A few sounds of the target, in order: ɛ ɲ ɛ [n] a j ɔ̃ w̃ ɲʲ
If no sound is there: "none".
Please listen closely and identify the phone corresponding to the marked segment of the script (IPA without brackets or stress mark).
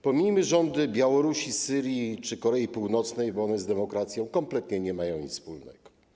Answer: m